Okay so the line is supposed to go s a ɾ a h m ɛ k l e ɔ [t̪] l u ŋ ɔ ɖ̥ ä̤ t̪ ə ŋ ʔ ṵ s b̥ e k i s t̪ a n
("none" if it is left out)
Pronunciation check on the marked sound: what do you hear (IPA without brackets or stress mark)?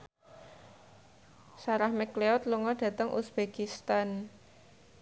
t̪